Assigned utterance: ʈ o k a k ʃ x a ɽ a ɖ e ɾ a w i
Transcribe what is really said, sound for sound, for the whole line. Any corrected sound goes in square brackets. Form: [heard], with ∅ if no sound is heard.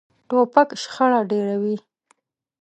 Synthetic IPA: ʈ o [p] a k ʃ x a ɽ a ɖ e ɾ a w i

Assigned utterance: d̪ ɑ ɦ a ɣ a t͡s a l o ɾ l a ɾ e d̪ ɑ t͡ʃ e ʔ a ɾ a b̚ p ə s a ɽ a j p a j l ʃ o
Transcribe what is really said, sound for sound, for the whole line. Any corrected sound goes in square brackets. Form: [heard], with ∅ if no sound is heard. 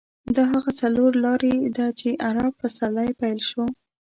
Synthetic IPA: d̪ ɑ ɦ a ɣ a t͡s a l o ɾ l [ɑ] ɾ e d̪ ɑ t͡ʃ e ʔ a ɾ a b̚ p ə s a [l] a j p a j l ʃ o

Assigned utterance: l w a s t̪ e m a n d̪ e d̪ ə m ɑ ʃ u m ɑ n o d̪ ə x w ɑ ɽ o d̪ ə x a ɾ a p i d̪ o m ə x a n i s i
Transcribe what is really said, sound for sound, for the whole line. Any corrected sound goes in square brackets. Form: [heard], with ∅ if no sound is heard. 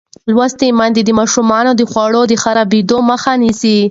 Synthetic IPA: l w a s t̪ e m a n d̪ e d̪ ə m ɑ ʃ u m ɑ n o d̪ ə x w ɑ ɽ o d̪ ə x a ɾ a [b] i d̪ o m ə x a n i s i

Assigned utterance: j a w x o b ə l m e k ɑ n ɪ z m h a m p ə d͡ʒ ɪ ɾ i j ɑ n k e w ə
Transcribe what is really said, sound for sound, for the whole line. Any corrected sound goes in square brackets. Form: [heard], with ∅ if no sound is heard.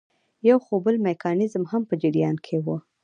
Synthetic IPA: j a w x o b ə l m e k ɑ n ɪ z m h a m p ə d͡ʒ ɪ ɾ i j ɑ n [kʰ] e w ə

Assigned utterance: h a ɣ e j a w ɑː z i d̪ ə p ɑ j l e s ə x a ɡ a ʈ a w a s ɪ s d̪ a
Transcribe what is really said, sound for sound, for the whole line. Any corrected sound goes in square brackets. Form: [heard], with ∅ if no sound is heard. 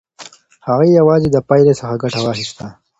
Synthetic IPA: h a ɣ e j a w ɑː z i d̪ ə p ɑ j l e s ə x a ɡ a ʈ a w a [x] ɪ s [t̪] a

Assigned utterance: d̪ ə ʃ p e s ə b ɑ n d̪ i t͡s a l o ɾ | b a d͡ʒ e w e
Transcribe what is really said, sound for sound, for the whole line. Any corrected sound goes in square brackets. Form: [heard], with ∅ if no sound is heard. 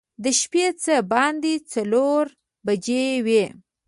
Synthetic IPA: d̪ ə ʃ p e [t͡s] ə b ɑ n d̪ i t͡s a l o ɾ | b a d͡ʒ e w e

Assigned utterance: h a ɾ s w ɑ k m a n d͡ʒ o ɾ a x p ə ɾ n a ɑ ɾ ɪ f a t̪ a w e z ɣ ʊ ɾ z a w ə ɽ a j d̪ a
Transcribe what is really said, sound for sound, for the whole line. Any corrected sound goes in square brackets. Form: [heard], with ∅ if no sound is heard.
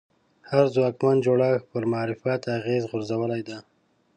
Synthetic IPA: h a ɾ [z] w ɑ k m a n d͡ʒ o [ɽ] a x p ə ɾ [m] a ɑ ɾ ɪ f a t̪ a [ɣ] e z ɣ ʊ ɾ z a w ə [l] a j d̪ a

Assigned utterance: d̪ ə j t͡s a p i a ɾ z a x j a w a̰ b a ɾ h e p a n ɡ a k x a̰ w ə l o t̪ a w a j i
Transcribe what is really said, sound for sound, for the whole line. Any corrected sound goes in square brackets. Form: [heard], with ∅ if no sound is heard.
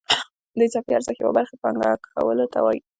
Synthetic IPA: d̪ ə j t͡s a p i a ɾ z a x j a w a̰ b a ɾ [x] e p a [ŋ] ɡ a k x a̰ w ə l o t̪ a w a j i

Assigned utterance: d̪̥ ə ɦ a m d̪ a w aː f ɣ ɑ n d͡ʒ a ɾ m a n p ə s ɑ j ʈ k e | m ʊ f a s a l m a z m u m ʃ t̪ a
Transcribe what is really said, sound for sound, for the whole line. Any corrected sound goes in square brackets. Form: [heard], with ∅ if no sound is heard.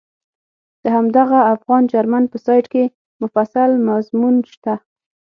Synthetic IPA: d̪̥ ə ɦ a m d̪ a [ɣ] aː f ɣ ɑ n d͡ʒ a ɾ m a n p ə s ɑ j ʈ k e | m ʊ f a s a l m a z m u [n] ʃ t̪ a

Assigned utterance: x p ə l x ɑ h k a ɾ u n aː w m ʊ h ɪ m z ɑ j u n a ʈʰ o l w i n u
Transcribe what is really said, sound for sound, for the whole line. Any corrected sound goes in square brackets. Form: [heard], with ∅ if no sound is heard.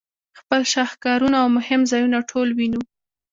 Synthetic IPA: x p ə l [ʃ] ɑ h k [ɑ] ɾ u n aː w m ʊ h ɪ m z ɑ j u n a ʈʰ o l w i n u

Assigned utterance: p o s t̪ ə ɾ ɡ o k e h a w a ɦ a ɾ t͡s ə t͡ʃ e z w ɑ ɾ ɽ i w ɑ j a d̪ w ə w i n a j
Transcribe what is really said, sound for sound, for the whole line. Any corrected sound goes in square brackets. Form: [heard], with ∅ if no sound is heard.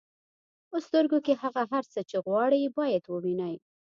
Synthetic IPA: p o s t̪ ə ɾ ɡ o k e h a [ɣ] a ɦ a ɾ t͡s ə t͡ʃ e [ɣ] w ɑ [∅] ɽ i [b] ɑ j a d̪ w ə w i n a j

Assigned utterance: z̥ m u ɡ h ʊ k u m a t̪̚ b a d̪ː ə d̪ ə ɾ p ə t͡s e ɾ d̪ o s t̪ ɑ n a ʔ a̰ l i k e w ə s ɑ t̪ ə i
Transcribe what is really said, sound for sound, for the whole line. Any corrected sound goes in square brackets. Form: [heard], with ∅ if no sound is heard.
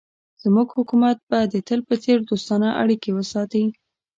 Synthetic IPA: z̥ m u ɡ h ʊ k u m a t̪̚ b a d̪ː ə [t̪] ə [l] p ə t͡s e ɾ d̪ o s t̪ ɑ n a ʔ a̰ [ɽ] i k e w ə s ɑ t̪ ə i

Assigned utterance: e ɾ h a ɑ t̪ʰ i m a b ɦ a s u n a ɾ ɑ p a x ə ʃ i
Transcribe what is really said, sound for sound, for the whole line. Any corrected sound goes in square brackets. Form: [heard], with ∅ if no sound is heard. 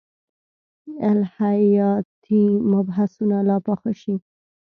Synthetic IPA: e [l] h a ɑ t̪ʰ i m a b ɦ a s u n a [l] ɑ p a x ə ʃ i

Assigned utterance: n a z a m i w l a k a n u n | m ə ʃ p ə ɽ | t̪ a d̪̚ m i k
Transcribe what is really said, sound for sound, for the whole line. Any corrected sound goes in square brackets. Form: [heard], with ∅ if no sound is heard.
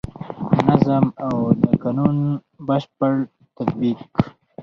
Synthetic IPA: n a z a m [a] w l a k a n u n | [b] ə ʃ p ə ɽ | t̪ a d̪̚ [b] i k

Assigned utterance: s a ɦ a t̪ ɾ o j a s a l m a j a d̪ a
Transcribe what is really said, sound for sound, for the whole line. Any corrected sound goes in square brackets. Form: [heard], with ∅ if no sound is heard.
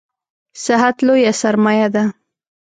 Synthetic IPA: s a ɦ a t̪ [l] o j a s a [ɾ] m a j a d̪ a

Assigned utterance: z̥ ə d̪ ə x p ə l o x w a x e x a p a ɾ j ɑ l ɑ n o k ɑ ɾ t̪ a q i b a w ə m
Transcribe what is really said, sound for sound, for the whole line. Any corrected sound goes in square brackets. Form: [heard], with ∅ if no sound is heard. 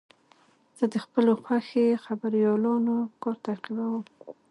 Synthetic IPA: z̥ ə d̪ ə x p ə l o x w a x e x a [b] a ɾ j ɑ l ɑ n o k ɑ ɾ t̪ a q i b a w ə m

